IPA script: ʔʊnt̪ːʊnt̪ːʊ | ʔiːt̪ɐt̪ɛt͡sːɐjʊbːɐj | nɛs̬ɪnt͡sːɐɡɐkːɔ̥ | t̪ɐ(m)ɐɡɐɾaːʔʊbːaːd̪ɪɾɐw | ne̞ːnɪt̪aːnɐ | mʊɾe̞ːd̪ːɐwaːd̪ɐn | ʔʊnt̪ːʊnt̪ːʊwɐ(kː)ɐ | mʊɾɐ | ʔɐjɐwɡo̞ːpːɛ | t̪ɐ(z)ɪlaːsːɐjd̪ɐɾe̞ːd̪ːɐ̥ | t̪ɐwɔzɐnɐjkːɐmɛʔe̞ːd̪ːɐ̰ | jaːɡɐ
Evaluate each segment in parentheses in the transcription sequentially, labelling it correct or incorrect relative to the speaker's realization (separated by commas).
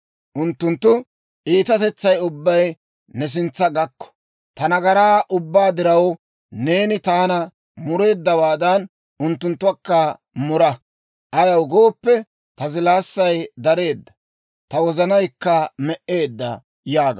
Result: incorrect, correct, correct